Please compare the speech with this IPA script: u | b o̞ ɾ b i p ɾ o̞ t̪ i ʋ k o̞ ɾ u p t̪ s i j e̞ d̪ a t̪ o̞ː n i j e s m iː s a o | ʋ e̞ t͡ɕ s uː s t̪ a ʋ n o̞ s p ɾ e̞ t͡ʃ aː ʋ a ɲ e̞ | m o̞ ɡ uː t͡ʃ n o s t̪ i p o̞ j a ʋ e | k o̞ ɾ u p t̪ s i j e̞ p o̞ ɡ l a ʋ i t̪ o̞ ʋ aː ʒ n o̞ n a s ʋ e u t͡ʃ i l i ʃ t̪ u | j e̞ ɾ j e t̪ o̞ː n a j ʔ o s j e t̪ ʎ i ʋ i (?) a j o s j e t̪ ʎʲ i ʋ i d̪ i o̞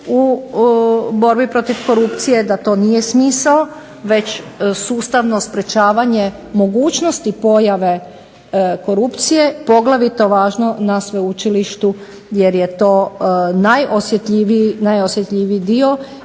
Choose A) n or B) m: A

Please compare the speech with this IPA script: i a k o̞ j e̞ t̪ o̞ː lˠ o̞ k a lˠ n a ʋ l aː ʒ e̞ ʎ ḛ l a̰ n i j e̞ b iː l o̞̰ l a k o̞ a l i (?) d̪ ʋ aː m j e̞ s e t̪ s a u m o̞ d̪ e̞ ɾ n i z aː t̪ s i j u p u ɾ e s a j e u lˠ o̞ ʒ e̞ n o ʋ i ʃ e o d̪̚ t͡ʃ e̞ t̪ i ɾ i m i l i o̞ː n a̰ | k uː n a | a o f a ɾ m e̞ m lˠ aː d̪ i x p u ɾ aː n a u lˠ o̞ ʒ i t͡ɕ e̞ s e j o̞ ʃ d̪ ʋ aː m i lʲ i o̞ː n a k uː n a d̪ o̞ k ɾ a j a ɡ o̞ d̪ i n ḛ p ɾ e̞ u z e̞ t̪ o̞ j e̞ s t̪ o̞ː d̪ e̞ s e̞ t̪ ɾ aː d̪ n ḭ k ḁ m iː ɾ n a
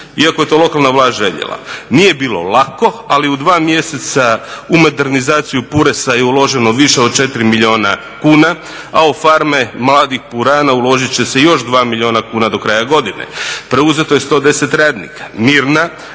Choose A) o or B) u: B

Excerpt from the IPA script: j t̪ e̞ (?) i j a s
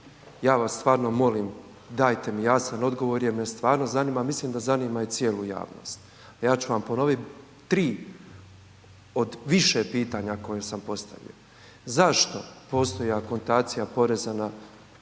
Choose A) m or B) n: A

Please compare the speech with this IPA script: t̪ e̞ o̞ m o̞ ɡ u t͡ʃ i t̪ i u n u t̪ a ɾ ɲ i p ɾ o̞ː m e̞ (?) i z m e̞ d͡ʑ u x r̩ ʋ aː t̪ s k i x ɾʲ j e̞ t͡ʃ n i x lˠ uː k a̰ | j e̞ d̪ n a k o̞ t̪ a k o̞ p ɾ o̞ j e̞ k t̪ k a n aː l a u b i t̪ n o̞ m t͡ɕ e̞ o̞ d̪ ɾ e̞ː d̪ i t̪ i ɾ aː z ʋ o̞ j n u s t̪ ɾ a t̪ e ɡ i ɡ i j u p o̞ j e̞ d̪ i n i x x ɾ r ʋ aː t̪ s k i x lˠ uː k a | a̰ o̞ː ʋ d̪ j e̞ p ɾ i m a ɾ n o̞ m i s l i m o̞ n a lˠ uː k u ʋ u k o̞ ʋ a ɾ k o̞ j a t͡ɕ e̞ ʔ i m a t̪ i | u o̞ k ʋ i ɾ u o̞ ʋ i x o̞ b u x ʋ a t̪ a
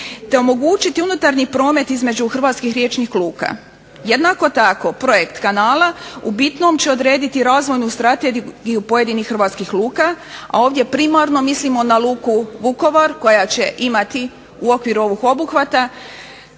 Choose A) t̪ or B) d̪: A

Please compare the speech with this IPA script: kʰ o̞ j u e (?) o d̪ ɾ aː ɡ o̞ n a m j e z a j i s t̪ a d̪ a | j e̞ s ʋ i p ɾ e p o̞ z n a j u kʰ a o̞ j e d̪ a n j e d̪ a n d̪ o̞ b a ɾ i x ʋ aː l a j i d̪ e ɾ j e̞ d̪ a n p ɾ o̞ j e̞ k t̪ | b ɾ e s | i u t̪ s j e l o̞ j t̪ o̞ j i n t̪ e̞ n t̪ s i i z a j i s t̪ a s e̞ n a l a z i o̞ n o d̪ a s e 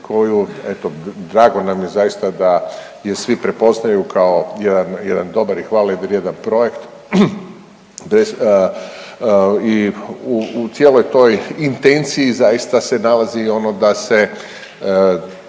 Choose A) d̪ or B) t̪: B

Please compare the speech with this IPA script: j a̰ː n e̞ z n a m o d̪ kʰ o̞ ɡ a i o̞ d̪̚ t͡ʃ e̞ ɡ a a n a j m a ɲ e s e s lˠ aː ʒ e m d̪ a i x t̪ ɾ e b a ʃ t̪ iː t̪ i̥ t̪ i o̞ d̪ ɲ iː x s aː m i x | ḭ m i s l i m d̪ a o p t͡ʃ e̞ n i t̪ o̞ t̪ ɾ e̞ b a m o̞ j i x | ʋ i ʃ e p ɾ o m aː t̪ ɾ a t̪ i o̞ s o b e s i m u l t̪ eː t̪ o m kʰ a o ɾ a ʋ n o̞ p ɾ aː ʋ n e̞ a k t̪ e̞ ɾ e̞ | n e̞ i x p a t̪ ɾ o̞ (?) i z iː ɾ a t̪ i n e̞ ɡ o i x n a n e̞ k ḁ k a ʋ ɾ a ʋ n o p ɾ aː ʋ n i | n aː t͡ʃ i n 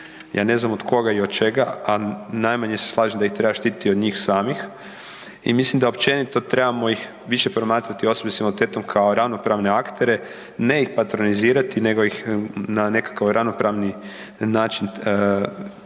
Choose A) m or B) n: B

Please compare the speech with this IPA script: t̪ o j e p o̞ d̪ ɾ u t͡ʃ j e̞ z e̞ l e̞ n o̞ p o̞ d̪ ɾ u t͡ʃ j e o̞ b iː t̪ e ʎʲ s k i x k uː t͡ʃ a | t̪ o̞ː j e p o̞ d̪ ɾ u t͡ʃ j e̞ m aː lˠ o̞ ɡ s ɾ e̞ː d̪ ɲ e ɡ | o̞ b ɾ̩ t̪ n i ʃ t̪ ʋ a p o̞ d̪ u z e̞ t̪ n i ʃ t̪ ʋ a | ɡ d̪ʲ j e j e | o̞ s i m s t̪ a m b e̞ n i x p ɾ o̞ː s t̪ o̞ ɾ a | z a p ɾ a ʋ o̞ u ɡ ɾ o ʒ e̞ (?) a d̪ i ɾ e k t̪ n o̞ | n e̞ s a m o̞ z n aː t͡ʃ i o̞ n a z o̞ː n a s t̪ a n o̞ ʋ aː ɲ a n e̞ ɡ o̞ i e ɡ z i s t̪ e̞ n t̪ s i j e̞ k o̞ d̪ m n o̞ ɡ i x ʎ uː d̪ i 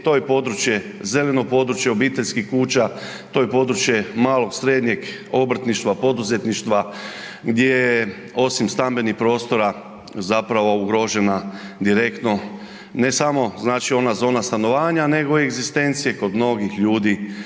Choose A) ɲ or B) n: B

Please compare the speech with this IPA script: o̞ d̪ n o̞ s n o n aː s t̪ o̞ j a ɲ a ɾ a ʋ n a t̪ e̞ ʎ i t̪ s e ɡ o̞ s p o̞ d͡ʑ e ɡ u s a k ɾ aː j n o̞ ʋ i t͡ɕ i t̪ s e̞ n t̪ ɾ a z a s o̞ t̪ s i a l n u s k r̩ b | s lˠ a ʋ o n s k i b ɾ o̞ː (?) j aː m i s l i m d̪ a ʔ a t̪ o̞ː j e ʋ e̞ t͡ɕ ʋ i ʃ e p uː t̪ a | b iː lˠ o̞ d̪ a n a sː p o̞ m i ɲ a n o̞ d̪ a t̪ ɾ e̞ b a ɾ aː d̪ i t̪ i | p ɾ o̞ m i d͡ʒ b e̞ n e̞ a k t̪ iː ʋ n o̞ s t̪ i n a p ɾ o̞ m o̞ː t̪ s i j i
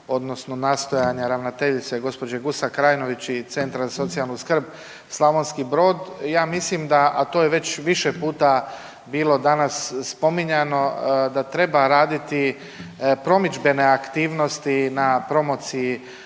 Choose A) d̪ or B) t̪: A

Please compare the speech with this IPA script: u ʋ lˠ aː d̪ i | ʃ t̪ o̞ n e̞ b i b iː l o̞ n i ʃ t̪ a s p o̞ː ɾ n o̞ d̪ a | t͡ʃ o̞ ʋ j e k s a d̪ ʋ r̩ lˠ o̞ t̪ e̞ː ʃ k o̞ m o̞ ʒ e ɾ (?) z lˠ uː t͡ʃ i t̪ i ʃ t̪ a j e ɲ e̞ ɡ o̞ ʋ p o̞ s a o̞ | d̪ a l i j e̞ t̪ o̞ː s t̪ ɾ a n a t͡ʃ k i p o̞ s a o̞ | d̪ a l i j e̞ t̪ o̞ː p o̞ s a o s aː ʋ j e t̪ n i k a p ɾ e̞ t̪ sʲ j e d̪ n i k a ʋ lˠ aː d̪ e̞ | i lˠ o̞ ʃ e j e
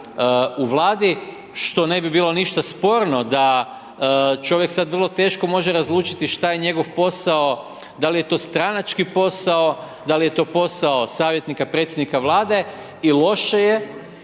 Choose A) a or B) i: A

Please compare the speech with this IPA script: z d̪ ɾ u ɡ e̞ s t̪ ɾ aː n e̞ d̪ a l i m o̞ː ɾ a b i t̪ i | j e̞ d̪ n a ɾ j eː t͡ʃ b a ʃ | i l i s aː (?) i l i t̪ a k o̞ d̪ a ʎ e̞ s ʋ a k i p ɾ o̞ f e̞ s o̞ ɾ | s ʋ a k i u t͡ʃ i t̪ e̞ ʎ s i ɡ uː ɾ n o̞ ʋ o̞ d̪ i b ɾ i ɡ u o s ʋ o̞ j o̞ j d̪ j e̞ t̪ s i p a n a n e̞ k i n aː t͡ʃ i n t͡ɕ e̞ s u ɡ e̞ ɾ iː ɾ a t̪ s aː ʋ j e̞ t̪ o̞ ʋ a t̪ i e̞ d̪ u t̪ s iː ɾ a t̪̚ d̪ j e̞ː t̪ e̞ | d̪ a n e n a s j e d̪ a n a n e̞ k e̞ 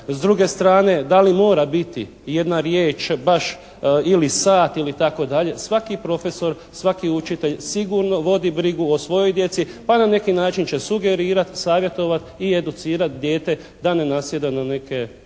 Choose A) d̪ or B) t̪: B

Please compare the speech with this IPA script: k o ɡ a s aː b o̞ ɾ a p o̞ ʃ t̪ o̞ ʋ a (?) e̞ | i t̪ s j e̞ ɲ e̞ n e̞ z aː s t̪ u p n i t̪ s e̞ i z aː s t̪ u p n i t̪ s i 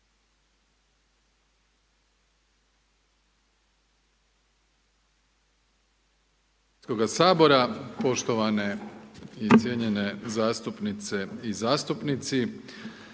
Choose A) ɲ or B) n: B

